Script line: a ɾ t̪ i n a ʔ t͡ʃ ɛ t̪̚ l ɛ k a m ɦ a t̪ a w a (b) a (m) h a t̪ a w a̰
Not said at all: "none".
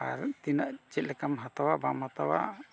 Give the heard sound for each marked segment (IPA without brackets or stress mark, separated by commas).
b, m